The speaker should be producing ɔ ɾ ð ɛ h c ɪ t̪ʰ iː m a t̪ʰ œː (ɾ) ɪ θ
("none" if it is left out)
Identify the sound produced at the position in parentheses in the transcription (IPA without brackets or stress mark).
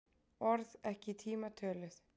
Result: l